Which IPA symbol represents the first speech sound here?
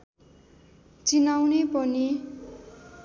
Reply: t͡s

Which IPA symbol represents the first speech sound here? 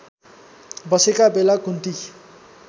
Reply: b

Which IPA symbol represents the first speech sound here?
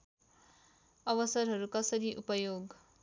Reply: ʌ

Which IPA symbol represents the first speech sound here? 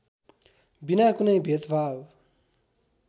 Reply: b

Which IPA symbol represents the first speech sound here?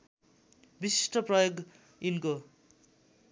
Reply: b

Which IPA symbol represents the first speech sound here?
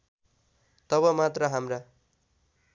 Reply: t̪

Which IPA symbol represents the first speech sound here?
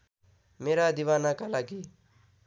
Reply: m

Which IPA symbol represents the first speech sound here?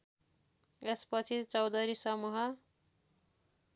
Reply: e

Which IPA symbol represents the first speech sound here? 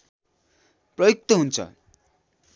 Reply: p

